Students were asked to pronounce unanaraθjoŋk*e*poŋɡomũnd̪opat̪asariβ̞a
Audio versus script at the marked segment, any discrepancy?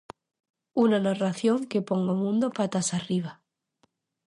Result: no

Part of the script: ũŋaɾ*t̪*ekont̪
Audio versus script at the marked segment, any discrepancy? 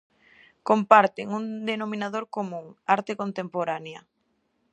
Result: no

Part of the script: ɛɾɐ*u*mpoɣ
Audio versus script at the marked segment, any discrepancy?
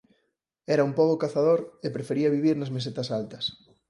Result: no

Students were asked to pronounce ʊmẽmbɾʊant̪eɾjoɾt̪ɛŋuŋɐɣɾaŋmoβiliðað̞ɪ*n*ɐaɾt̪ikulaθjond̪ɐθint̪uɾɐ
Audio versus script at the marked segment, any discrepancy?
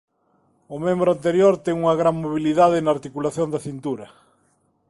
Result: no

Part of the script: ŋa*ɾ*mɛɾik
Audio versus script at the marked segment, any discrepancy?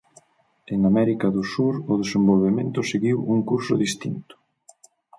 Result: yes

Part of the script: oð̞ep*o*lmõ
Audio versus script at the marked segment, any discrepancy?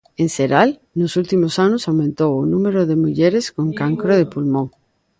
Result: yes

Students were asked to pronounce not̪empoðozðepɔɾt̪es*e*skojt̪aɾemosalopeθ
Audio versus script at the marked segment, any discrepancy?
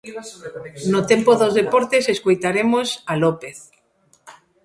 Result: no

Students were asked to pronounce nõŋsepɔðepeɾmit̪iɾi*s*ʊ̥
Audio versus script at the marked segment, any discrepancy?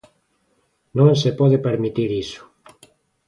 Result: no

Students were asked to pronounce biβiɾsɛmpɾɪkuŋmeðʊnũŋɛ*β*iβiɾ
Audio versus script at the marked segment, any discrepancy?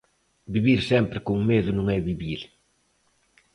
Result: no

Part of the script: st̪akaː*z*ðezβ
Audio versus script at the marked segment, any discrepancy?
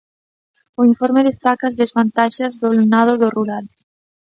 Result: no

